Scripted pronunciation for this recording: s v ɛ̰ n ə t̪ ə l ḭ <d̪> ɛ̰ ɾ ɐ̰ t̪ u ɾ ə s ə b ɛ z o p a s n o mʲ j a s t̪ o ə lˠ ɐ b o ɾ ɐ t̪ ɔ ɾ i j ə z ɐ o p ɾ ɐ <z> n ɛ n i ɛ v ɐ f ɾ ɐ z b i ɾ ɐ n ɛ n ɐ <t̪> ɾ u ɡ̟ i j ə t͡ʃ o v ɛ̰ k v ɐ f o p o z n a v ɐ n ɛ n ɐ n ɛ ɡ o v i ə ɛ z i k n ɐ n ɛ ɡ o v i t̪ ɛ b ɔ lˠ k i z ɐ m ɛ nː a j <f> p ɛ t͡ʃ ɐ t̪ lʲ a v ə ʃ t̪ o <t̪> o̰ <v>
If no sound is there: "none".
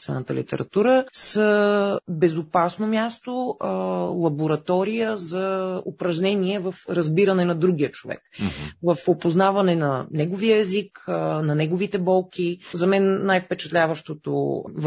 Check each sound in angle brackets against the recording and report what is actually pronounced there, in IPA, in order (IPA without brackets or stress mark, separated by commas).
t̪, ʒ, d̪, f, t̪, v